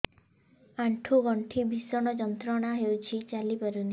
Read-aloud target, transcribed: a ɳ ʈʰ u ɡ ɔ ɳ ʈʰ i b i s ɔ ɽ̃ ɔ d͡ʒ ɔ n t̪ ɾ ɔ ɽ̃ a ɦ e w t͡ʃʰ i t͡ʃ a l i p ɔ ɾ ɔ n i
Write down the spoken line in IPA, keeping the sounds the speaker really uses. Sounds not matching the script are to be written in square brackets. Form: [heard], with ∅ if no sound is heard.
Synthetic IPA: a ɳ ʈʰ u ɡ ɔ ɳ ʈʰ i b i s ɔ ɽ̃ ɔ d͡ʒ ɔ n t̪ ɾ ɔ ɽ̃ a ɦ e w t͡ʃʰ i t͡ʃ a l i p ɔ ɾ [u] n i